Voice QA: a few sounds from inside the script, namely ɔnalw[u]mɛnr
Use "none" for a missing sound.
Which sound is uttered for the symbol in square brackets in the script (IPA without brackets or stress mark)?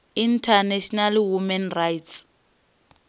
u